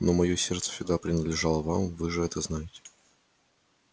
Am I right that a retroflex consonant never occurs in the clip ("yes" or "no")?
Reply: no